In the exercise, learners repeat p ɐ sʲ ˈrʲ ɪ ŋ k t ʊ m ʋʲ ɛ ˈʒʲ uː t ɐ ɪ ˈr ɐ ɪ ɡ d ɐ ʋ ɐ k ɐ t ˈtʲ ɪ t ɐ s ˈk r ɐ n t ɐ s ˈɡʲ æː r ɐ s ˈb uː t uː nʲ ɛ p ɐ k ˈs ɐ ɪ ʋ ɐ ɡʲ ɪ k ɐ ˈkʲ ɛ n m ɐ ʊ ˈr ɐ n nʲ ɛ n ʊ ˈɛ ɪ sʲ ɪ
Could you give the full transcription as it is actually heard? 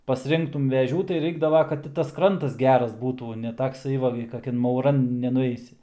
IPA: p ɐ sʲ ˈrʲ ɪ ŋ k t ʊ m ʋʲ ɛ ˈʒʲ uː t ɐ ɪ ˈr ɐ ɪ ɡ d ɐ ʋ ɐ k ɐ t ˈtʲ ɪ t ɐ s ˈk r ɐ n t ɐ s ˈɡʲ æː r ɐ s ˈb uː t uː nʲ ɛ t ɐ k ˈs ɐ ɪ ʋ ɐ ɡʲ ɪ k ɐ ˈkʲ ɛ n m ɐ ʊ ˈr ɐ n nʲ ɛ n ʊ ˈɛ ɪ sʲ ɪ